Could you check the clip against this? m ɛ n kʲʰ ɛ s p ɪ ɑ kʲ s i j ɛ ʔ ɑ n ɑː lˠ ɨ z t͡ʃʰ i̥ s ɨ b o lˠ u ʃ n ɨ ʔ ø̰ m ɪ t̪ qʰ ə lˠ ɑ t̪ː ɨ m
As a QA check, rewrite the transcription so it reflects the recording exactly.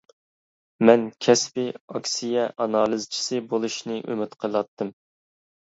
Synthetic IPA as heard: m ɛ n kʲʰ ɛ s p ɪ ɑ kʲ s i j ɛ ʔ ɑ n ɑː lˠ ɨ z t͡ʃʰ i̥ s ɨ b o lˠ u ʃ n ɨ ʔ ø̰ m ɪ t̪ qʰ ə lˠ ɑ t̪ː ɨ m

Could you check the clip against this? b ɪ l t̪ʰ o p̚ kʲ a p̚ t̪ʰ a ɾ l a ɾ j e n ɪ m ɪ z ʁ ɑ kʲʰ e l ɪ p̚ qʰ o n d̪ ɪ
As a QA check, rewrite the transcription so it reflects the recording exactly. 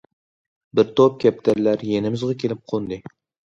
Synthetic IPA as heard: b ɪ ɾ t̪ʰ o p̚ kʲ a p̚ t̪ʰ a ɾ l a ɾ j e n ɪ m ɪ z ʁ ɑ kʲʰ e l ɪ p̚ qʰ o n d̪ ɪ

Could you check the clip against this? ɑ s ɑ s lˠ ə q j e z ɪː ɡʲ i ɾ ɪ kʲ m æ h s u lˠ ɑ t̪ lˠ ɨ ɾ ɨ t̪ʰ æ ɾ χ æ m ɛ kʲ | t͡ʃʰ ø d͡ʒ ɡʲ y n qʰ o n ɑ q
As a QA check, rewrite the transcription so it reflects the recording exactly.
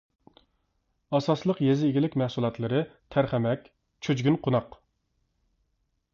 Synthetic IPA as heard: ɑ s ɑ s lˠ ə q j e z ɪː ɡʲ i l ɪ kʲ m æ h s u lˠ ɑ t̪ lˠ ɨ ɾ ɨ t̪ʰ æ ɾ χ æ m ɛ kʲ | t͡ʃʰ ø d͡ʒ ɡʲ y n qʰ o n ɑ q

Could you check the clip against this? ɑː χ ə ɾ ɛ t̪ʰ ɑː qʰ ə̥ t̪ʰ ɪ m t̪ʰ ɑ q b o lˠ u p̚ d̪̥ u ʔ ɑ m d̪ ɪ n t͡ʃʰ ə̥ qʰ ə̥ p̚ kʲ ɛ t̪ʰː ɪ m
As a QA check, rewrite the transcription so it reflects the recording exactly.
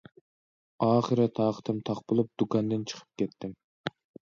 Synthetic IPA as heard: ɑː χ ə ɾ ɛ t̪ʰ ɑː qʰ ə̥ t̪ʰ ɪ m t̪ʰ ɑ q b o lˠ u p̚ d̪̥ u k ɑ n d̪ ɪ n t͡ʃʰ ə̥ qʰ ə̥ p̚ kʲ ɛ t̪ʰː ɪ m

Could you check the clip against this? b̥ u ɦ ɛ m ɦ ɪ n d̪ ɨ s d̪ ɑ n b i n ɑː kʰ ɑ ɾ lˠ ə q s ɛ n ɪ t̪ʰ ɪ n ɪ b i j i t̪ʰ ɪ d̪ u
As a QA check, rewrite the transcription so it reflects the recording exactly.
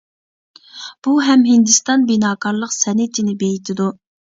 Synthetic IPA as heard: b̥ u ɦ ɛ m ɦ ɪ n d̪ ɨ s t̪ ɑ n b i n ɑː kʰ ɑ ɾ lˠ ə q s ɛ n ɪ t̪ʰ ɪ n ɪ b e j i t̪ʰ ɪ d̪ u

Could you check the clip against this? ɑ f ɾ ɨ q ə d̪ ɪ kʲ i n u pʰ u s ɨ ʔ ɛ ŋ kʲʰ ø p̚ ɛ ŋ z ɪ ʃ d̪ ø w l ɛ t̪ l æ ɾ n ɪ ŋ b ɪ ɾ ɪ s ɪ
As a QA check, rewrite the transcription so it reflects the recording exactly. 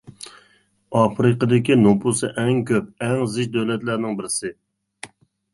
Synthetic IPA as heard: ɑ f ɾ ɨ q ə d̪ ɪ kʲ i n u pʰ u s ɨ ʔ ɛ ŋ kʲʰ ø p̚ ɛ ŋ z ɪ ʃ d̪ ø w l ɛ t̪ l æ ɾ n ɪ ŋ b ɪ ɾ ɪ s ɪ

